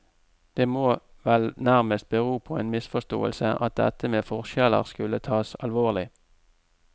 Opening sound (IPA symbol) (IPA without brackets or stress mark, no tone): d̪̥